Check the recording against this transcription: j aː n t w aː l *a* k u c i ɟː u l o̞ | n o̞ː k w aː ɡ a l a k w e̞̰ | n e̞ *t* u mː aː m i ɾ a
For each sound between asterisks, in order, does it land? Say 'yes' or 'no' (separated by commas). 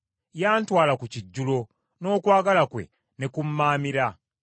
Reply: yes, no